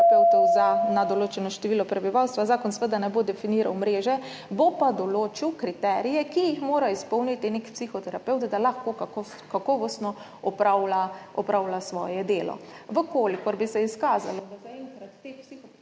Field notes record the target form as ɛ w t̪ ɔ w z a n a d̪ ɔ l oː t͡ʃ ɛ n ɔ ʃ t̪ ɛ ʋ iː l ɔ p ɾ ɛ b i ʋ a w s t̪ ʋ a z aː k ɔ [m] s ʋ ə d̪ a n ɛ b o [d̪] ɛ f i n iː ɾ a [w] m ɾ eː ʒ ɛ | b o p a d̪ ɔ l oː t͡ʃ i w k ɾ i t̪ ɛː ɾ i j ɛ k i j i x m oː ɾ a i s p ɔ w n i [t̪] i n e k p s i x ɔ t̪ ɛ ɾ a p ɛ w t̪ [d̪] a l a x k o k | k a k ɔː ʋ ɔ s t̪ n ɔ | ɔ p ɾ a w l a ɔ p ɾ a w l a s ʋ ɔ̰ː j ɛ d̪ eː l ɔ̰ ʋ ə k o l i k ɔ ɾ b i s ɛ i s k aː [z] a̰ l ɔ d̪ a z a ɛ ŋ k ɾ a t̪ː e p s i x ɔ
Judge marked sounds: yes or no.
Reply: no, yes, yes, yes, yes, yes

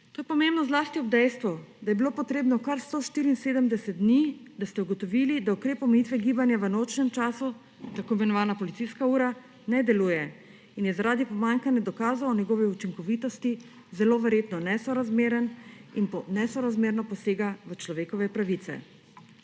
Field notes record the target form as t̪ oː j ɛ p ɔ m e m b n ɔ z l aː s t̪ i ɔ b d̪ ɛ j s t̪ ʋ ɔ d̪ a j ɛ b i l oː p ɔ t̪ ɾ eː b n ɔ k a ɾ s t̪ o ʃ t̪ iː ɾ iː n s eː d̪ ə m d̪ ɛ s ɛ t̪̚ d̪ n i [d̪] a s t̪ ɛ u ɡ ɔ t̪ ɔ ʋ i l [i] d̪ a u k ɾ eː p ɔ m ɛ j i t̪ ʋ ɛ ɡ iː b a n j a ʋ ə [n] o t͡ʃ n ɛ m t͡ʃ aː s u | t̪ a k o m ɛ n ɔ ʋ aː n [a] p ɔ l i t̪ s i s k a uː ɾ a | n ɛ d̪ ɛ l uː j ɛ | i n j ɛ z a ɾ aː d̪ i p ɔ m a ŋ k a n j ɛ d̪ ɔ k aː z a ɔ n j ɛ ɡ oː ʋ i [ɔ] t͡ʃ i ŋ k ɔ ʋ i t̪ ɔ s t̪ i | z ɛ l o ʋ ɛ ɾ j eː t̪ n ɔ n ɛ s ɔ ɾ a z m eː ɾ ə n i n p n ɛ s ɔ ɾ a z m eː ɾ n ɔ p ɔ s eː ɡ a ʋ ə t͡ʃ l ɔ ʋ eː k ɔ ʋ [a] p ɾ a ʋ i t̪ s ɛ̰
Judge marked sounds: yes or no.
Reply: yes, yes, yes, yes, no, no

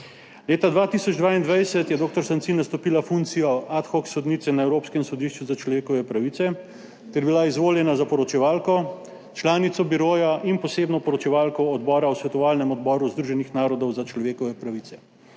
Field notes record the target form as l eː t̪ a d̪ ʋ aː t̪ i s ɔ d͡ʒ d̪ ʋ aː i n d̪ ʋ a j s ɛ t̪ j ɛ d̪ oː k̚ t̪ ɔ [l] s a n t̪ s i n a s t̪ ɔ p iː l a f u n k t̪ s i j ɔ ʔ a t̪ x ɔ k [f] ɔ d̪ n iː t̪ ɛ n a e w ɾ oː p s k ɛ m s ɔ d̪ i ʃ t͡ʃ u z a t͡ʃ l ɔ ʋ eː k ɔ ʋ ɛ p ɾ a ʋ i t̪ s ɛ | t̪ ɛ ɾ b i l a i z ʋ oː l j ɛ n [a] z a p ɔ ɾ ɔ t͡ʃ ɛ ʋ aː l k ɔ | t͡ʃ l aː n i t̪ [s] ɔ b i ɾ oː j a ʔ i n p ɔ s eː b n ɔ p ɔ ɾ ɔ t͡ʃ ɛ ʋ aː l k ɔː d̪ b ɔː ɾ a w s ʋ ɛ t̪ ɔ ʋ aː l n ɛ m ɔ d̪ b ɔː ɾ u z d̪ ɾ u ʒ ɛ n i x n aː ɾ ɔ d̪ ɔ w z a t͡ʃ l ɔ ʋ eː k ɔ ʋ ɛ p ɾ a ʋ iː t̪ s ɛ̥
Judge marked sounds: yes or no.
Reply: no, no, yes, yes

